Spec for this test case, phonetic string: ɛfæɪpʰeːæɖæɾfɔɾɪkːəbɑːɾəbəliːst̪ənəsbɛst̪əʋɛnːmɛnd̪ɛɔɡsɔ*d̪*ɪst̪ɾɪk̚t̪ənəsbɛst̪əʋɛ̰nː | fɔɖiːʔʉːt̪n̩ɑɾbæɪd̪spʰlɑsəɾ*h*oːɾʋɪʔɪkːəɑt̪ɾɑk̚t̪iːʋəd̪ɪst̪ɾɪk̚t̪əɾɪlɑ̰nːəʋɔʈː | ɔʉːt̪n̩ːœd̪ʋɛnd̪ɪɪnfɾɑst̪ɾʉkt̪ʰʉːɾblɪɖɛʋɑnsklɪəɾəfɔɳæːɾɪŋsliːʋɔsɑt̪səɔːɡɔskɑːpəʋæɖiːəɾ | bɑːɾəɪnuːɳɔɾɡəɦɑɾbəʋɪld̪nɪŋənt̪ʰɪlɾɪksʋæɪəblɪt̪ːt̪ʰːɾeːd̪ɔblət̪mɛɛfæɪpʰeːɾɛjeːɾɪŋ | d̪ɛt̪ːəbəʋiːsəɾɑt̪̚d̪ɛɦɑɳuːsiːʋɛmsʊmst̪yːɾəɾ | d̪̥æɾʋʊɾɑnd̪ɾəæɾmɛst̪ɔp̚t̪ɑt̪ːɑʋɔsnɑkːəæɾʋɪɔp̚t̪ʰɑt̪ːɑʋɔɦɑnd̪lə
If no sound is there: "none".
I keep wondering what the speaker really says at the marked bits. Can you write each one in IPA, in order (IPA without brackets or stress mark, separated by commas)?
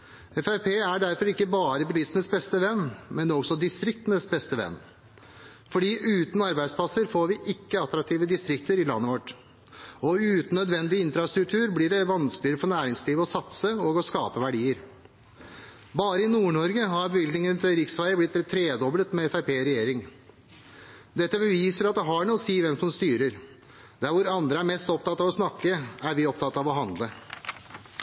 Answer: d̪, f